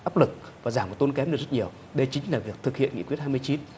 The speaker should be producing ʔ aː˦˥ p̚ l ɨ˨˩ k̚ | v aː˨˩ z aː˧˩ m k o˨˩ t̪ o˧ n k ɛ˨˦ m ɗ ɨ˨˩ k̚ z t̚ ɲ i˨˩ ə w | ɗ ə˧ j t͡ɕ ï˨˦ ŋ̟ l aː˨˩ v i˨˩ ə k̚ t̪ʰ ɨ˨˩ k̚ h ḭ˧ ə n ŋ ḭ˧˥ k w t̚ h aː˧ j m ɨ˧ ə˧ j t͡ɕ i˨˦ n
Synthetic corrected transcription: ʔ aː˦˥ p̚ l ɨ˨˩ k̚ | v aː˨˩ z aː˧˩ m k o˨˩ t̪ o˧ n k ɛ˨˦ m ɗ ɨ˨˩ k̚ z t̚ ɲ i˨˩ ə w | ɗ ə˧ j t͡ɕ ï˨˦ ŋ̟ l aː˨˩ v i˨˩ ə k̚ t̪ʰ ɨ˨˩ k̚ h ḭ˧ ə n ŋ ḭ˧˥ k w t̚ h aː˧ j m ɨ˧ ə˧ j t͡ɕ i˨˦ n